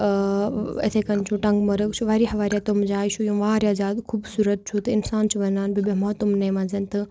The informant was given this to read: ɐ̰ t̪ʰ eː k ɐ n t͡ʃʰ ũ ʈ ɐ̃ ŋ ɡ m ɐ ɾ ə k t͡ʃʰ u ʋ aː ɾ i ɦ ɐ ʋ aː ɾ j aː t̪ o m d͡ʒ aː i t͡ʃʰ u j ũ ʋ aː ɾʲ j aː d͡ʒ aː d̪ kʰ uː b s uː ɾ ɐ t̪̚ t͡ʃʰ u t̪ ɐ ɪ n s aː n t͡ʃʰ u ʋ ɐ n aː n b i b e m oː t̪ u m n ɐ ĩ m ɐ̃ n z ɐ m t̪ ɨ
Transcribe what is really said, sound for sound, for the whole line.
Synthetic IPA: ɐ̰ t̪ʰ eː k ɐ n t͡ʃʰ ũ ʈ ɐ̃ ŋ ɡ m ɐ ɾ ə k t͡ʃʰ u ʋ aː ɾ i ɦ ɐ ʋ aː ɾ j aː t̪ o m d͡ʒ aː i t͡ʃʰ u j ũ ʋ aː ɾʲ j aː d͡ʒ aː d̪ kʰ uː b s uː ɾ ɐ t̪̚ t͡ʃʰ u t̪ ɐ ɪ n s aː n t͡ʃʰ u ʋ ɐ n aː n b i b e m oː t̪ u m n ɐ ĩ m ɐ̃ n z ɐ n t̪ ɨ